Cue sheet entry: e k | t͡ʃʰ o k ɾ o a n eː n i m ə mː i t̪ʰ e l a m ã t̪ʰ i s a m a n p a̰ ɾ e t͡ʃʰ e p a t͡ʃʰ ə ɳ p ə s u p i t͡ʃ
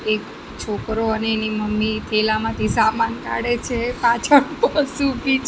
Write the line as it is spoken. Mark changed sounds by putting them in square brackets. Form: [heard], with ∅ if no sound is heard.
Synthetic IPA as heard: e k | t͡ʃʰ o k ɾ o [ə] n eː n i m ə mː i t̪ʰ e l a m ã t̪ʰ i s a m a n [k] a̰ [ɽ] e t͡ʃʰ e p a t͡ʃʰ ə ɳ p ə s u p i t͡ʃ